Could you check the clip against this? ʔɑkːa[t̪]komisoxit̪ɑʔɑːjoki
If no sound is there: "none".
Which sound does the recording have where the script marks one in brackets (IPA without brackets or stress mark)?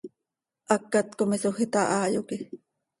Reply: t̪